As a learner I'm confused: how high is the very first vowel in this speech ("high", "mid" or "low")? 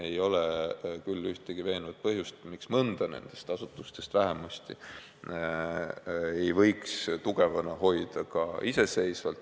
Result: mid